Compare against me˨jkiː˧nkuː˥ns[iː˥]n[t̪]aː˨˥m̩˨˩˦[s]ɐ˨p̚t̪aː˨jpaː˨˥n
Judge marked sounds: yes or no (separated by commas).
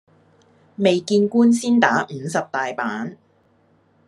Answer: yes, yes, yes